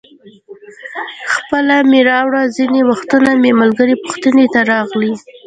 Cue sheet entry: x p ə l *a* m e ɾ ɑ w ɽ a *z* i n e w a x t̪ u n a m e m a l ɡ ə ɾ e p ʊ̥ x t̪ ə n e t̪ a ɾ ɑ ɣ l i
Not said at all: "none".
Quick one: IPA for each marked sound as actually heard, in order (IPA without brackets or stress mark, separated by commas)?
a, z